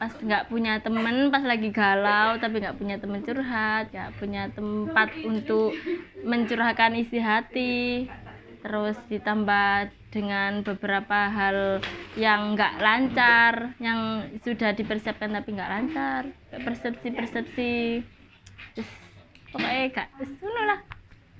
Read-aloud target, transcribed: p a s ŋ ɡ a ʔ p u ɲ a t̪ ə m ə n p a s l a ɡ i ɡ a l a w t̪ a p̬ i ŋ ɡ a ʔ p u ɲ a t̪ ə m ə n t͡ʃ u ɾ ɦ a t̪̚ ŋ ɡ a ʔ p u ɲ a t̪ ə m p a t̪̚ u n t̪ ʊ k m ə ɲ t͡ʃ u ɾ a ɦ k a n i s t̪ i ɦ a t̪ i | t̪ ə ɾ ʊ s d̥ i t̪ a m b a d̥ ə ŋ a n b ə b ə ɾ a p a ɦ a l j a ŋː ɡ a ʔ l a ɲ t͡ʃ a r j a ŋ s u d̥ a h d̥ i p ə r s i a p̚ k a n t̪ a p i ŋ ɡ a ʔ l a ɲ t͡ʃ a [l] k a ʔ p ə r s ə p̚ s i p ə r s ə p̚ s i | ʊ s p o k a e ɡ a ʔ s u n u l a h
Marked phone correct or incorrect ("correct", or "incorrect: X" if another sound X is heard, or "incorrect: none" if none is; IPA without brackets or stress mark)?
incorrect: r